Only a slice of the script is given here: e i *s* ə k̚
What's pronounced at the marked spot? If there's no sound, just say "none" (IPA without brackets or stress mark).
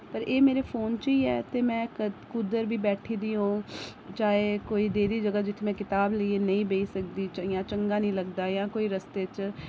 s